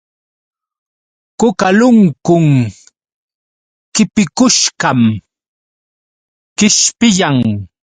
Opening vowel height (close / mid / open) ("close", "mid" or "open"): close